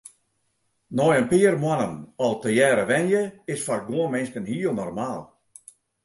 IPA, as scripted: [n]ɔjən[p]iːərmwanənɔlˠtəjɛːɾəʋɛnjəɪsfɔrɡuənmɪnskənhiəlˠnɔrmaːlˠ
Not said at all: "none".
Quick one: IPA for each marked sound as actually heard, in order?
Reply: n, p

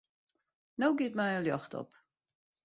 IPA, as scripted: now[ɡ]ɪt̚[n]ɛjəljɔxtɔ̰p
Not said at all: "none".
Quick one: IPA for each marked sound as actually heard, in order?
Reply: ɡ, m

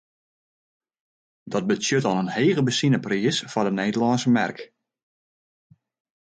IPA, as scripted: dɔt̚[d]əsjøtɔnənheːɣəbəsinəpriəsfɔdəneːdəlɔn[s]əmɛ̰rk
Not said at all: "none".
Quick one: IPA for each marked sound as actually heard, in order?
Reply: b, s

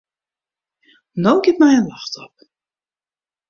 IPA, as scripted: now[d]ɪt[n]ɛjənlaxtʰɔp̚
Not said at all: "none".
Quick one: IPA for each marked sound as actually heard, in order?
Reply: ɡ, m

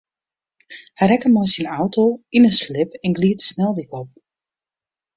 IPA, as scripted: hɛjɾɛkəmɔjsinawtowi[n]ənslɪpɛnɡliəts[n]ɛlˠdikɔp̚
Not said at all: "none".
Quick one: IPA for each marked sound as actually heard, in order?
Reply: n, n

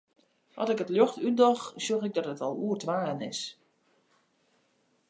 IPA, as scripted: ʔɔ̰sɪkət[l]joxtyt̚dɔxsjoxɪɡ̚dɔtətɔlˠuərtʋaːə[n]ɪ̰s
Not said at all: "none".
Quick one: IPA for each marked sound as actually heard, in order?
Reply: l, n

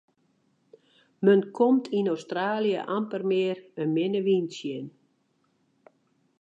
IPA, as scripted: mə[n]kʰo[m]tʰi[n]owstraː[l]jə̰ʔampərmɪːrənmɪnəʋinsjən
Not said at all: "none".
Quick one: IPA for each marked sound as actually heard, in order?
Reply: n, m, n, l

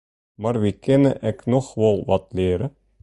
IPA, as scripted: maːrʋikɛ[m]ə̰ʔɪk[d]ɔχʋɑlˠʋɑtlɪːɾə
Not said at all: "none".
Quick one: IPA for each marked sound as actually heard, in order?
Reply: n, n

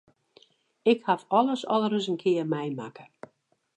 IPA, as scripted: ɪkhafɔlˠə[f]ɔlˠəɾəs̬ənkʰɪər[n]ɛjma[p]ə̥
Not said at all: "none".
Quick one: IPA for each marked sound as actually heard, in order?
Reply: s, m, k

